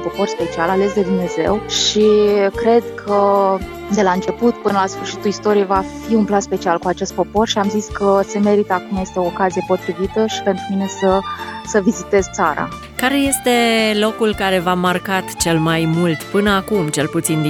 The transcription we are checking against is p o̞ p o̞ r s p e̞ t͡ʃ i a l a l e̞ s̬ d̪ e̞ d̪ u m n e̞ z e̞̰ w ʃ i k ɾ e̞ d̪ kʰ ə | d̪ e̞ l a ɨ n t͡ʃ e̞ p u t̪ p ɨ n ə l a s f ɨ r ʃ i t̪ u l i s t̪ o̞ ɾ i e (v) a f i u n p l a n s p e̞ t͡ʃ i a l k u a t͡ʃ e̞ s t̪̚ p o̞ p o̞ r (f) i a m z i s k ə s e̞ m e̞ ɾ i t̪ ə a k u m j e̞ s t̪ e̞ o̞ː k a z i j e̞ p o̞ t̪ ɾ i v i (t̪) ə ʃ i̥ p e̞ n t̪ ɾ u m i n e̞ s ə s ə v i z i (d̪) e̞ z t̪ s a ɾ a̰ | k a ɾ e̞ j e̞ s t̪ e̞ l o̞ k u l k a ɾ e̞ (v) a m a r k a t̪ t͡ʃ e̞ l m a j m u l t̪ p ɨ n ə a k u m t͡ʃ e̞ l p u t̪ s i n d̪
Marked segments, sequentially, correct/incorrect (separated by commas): correct, incorrect, correct, incorrect, correct